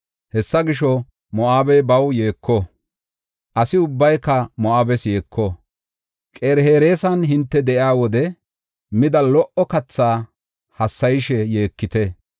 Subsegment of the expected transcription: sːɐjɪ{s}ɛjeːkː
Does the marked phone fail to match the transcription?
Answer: yes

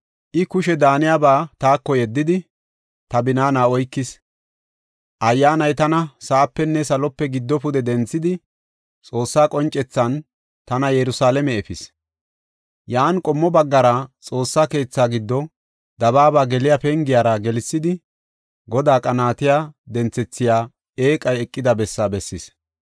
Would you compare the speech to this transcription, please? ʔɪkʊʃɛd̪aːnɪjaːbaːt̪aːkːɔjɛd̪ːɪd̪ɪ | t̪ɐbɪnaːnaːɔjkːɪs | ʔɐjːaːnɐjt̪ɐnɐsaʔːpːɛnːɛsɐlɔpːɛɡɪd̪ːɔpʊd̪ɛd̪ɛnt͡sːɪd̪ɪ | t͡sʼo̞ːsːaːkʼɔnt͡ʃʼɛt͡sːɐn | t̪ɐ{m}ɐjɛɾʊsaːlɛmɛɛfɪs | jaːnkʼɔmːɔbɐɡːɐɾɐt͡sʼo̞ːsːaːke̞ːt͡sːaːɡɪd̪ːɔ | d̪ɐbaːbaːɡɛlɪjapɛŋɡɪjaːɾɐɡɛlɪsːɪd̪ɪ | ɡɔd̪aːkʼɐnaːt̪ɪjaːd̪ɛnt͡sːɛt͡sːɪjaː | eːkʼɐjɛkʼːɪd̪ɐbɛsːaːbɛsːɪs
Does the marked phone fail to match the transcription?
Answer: yes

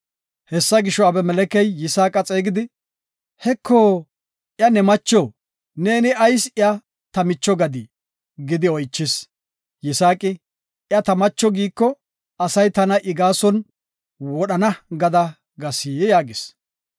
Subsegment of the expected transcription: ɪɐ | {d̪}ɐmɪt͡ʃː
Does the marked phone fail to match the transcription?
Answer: yes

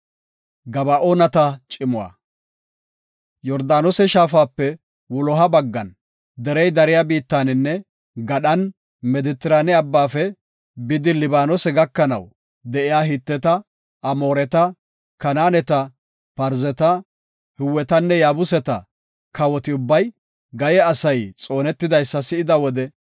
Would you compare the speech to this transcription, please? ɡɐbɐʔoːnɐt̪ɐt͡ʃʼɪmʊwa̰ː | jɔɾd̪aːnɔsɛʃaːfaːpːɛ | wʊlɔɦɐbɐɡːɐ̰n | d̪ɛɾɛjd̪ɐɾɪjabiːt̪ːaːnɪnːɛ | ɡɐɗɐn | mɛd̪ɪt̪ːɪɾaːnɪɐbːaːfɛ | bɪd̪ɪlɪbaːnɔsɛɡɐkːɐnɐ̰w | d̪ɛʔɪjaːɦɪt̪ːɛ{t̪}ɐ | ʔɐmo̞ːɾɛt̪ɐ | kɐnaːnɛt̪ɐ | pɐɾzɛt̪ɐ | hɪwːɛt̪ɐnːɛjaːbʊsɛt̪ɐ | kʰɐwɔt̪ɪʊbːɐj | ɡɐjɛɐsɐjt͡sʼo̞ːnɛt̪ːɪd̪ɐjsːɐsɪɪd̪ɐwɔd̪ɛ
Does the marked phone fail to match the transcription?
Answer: no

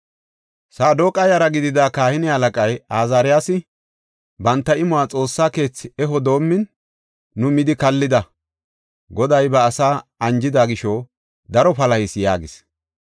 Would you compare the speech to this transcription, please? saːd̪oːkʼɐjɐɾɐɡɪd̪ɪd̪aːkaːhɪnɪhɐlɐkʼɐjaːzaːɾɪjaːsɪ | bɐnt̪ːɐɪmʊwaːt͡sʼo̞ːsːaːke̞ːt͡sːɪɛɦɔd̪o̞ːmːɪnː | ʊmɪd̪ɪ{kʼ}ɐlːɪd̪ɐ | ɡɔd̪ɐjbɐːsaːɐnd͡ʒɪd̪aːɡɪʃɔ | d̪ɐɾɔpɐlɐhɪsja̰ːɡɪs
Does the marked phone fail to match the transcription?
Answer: yes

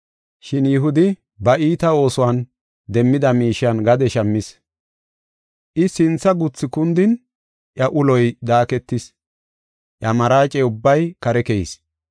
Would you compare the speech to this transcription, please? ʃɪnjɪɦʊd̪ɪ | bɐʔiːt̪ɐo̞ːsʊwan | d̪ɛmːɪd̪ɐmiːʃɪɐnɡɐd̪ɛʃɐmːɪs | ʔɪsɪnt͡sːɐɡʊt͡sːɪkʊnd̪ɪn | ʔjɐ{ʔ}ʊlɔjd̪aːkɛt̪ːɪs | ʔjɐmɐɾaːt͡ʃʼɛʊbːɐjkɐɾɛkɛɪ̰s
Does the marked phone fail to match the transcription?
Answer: no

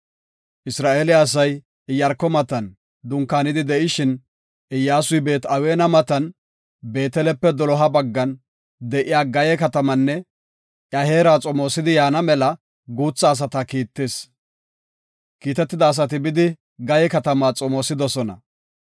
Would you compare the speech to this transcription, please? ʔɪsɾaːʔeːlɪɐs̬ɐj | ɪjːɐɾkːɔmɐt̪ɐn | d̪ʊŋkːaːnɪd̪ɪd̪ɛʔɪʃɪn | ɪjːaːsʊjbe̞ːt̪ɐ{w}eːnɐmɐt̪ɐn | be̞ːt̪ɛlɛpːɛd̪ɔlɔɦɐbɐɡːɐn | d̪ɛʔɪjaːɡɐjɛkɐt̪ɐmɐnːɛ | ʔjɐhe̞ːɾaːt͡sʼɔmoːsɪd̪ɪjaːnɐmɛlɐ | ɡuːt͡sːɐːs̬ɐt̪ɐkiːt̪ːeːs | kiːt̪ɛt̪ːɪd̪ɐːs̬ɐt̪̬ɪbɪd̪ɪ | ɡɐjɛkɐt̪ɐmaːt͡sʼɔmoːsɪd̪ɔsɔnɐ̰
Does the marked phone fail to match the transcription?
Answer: no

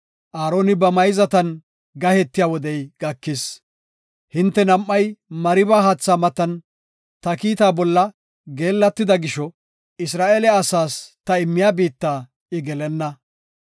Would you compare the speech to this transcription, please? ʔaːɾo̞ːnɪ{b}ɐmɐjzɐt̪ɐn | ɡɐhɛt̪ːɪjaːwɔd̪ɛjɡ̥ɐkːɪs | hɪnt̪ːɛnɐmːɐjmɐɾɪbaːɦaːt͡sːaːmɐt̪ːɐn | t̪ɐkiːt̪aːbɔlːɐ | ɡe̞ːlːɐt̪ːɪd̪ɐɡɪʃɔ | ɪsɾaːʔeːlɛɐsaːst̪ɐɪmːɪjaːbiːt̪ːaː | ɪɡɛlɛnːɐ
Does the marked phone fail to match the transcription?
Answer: no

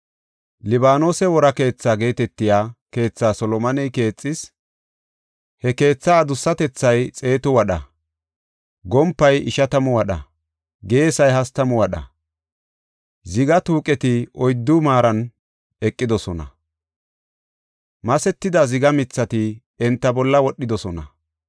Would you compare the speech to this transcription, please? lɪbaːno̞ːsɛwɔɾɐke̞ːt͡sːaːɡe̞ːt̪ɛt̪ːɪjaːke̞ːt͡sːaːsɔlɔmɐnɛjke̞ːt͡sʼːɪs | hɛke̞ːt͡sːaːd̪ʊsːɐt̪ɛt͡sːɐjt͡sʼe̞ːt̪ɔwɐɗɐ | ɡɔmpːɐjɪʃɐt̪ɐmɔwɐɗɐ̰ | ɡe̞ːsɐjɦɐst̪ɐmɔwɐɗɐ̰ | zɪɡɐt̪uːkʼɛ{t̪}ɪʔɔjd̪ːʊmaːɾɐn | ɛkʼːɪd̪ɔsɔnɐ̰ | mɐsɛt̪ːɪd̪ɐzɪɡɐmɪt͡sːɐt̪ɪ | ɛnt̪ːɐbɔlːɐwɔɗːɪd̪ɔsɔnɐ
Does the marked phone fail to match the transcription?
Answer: no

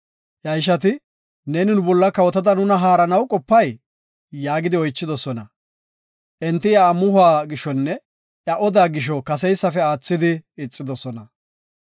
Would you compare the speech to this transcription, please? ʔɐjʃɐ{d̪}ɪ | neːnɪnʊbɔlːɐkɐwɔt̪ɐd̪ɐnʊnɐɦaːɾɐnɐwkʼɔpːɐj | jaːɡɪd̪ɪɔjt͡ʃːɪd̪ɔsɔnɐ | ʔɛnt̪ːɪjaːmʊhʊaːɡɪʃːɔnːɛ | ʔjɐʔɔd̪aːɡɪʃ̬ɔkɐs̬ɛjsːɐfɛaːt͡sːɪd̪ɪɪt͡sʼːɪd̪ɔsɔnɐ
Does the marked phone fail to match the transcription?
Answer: yes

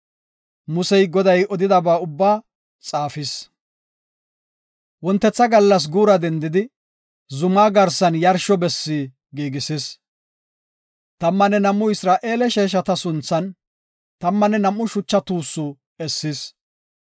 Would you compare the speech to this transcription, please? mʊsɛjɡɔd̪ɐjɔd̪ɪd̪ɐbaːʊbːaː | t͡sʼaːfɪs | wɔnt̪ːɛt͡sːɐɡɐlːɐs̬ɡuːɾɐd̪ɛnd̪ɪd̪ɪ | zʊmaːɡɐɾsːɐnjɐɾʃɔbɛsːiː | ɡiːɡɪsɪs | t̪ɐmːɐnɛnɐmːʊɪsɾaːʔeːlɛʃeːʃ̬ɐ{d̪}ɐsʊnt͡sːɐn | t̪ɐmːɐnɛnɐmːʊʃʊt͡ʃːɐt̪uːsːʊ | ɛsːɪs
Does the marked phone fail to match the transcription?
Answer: yes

